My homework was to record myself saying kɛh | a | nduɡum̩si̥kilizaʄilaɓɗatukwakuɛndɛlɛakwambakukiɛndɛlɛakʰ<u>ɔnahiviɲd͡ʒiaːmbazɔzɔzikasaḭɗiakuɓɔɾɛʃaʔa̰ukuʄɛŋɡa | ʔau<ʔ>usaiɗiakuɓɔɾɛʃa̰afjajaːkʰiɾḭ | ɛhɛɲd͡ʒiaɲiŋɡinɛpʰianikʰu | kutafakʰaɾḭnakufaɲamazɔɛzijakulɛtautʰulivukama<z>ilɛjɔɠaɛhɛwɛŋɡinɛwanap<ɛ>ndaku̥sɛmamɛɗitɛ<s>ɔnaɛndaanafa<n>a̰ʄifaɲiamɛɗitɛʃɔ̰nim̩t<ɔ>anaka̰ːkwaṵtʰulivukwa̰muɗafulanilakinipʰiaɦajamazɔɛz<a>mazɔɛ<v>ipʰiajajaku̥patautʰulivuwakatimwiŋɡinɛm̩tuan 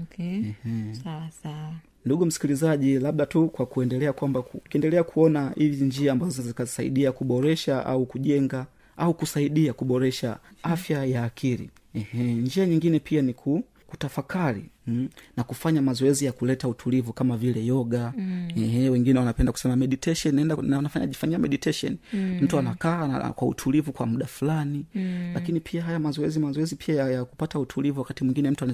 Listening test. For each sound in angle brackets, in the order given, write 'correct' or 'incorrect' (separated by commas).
correct, incorrect, incorrect, correct, incorrect, incorrect, incorrect, incorrect, incorrect